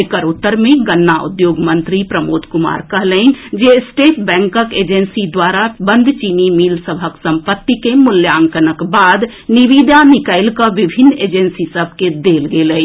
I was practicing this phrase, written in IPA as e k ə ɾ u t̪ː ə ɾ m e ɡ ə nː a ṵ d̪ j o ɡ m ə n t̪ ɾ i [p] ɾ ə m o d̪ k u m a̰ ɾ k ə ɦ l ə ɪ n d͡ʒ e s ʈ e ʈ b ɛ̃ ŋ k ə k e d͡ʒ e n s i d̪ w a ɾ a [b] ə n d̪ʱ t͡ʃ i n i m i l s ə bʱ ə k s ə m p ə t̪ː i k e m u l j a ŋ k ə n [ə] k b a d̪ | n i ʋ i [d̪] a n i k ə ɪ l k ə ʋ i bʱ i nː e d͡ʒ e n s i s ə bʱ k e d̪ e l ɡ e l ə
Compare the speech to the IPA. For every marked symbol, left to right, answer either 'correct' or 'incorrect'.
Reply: correct, correct, correct, correct

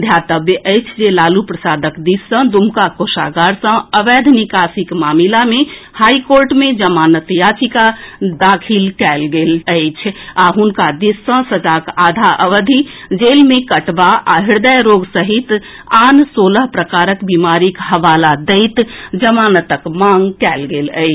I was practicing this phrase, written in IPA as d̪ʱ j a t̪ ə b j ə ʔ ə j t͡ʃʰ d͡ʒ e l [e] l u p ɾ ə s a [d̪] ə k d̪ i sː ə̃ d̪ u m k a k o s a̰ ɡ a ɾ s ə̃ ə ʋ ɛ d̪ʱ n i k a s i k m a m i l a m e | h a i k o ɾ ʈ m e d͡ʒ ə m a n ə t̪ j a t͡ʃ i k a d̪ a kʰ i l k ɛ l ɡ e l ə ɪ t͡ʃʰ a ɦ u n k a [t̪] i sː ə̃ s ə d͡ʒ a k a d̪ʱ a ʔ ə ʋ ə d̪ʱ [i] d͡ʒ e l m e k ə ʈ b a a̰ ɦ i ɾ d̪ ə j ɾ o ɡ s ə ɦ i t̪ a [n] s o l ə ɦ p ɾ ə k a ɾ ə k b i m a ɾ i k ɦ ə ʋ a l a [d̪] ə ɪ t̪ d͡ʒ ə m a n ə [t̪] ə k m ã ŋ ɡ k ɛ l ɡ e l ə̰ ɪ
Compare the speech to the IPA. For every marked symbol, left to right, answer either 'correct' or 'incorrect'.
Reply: incorrect, correct, incorrect, correct, correct, correct, correct

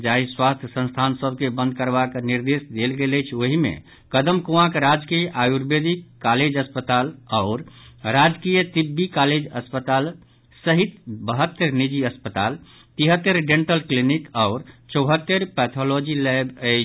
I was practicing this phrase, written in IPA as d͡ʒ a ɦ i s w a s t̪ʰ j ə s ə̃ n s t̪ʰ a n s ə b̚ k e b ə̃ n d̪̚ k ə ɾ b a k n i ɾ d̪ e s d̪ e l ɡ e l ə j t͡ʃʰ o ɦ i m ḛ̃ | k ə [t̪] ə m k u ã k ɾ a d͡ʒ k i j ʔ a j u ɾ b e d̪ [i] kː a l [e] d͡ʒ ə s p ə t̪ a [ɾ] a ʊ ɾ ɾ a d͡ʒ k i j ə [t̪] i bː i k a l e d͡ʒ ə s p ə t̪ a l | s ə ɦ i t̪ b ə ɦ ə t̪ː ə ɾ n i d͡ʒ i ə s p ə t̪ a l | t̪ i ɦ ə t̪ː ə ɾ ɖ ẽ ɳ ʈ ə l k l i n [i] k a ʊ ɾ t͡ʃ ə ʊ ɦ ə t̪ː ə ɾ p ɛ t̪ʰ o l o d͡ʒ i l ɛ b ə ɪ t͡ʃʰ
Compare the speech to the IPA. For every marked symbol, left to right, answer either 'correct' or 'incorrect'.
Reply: incorrect, correct, correct, incorrect, correct, correct

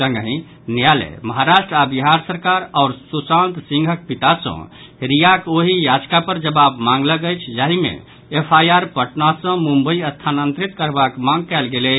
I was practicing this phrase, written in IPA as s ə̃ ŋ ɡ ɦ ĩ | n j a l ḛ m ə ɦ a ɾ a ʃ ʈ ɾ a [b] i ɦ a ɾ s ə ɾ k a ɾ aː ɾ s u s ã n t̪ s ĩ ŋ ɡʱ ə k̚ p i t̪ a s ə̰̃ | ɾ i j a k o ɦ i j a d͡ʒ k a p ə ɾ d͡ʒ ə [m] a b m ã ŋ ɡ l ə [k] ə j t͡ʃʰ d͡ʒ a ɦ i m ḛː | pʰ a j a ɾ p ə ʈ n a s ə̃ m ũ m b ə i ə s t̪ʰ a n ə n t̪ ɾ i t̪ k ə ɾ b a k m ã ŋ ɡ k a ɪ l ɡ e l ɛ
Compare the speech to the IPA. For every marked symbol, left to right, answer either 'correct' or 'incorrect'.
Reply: correct, incorrect, incorrect

